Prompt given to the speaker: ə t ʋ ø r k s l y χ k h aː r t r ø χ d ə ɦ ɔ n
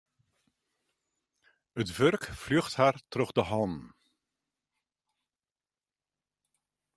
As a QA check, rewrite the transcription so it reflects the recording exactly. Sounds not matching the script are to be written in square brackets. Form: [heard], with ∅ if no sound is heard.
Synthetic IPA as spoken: ə t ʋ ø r k [f] l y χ [t] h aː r t r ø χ d ə ɦ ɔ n